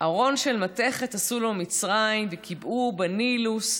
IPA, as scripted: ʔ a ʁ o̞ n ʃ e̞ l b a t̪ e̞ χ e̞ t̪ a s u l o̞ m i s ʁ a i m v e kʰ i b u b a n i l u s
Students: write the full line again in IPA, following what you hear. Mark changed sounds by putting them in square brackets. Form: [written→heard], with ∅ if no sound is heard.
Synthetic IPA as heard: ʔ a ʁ o̞ n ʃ e̞ l [b→m] a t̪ e̞ χ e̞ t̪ a s u l o̞ m i [s→t͡s] ʁ a i m v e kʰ i b u b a n i l u s